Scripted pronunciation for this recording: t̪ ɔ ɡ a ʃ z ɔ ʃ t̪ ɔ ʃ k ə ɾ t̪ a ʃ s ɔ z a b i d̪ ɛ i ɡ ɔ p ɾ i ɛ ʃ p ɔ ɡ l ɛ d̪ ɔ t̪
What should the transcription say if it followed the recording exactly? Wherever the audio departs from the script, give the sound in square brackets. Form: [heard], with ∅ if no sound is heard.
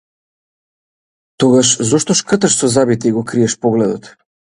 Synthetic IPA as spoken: t̪ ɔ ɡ a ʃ z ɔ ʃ t̪ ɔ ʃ k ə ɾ t̪ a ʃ s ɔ z a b i [t̪] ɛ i ɡ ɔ [k] ɾ i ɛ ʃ p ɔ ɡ l ɛ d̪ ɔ t̪